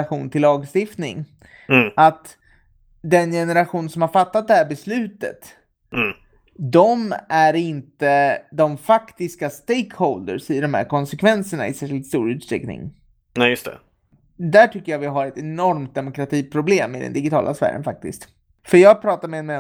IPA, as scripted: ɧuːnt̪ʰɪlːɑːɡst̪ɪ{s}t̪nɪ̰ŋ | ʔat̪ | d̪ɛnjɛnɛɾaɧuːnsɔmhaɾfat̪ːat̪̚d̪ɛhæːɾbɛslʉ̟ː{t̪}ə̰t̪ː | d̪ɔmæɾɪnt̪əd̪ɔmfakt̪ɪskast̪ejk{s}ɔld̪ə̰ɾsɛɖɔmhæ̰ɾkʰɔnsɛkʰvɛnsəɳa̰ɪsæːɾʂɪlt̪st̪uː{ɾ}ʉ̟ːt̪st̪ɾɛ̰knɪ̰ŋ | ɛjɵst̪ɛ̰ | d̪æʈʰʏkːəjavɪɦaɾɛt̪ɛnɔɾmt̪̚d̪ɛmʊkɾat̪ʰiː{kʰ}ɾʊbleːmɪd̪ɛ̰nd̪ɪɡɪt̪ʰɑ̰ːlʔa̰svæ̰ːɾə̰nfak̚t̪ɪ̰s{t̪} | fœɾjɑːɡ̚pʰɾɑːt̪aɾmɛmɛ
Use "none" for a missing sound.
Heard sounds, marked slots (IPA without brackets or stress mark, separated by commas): f, t̪, h, ɾ, pʰ, t̪